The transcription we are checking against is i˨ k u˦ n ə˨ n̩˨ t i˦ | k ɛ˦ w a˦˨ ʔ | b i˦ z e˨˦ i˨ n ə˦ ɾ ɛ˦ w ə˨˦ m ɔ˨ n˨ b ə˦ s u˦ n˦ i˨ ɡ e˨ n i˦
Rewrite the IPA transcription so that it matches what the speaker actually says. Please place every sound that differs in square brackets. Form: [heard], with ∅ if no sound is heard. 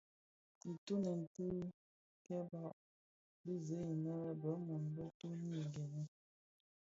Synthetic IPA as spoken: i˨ [t] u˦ n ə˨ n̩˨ t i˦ | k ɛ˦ [b] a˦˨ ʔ | b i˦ z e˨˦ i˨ n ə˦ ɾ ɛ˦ [b] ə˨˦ m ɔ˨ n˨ b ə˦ [t] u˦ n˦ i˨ ɡ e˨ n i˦